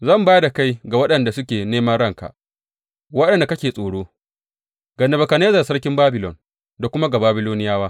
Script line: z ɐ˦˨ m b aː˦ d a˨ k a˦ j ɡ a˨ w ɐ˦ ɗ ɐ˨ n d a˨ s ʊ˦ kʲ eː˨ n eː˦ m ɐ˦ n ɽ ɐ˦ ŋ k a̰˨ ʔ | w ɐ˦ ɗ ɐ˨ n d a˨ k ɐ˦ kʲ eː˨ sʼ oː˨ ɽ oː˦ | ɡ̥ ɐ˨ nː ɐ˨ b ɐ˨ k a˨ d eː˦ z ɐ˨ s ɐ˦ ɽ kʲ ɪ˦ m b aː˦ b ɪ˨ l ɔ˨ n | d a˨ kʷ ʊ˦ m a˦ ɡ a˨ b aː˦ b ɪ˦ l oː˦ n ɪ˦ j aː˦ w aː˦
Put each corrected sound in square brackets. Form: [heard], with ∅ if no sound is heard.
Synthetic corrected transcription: z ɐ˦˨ m b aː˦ d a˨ k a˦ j ɡ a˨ w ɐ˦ ɗ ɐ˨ n d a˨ s ʊ˦ kʲ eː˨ n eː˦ m ɐ˦ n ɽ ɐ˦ ŋ k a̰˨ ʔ | w ɐ˦ ɗ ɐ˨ n d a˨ k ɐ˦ kʲ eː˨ sʼ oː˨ ɽ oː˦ | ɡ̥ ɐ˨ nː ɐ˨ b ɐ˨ k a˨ [n] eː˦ z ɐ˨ s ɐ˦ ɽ kʲ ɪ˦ m b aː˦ b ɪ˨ l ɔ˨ n | d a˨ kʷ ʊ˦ m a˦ ɡ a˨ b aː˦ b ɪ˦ l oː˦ n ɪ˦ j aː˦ w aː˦